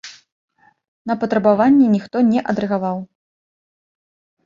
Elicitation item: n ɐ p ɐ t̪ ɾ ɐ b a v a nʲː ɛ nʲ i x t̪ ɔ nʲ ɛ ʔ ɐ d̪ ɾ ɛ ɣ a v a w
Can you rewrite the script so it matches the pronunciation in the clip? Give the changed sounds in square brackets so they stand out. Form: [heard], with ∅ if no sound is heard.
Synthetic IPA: n ɐ p ɐ t̪ ɾ ɐ b a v a nʲː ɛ nʲ i x t̪ ɔ nʲ ɛ ʔ ɐ d̪ ɾ ɛ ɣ a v a w